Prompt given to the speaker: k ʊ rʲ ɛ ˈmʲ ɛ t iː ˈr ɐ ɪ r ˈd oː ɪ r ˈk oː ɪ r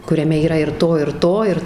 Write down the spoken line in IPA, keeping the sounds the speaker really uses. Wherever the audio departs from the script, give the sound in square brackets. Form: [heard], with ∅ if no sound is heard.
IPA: k ʊ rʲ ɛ ˈmʲ ɛ [∅] iː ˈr ɐ ɪ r [ˈt] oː ɪ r [ˈt] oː ɪ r